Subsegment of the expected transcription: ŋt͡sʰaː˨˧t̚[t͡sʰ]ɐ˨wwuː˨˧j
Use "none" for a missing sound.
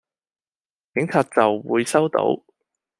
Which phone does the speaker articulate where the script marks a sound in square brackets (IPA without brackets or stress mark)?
t͡s